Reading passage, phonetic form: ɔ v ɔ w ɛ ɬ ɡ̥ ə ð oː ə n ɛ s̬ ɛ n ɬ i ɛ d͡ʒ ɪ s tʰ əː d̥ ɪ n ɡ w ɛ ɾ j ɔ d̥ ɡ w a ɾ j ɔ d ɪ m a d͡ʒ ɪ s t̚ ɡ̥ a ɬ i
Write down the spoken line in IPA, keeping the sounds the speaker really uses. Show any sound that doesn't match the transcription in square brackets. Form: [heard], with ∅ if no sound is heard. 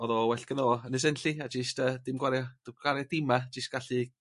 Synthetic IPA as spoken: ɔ [ð] ɔ w ɛ ɬ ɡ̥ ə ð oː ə n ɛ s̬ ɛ n ɬ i [a] d͡ʒ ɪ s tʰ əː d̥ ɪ [m] ɡ w [a] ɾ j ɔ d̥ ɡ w a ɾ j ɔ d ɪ m a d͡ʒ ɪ s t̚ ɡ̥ a ɬ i